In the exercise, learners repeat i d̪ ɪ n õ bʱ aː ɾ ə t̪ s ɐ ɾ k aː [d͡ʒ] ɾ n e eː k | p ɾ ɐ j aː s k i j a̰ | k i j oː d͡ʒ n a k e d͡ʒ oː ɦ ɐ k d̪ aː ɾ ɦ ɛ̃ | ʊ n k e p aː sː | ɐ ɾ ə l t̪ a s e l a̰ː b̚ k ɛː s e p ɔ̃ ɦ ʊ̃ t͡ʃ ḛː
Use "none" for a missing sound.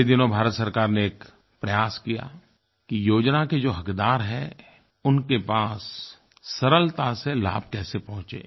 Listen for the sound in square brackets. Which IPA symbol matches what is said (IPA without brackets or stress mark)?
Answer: none